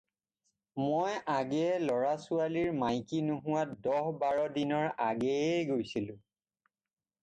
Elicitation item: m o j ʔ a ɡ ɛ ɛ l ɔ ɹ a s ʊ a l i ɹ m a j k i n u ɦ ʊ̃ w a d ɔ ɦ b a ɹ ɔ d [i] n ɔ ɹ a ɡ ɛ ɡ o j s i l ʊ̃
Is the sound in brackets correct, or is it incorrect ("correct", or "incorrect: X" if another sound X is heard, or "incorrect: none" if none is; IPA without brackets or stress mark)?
correct